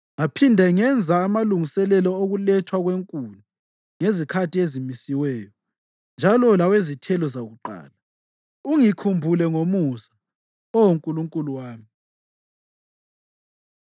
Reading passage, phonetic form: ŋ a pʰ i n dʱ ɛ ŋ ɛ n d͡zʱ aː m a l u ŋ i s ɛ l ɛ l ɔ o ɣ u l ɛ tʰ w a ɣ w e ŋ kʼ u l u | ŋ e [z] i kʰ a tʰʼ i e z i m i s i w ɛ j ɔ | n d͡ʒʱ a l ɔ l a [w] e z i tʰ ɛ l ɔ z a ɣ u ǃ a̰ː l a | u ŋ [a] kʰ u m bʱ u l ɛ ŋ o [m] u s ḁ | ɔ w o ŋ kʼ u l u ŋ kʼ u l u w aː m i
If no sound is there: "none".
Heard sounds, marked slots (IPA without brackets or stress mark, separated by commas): z, w, i, m